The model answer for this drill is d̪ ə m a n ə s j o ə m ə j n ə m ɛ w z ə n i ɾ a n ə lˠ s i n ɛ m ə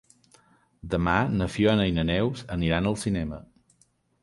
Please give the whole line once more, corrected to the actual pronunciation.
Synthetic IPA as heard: d̪ ə m a n ə f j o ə n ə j n ə n ɛ w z ə n i ɾ a n ə lˠ s i n ɛ m ə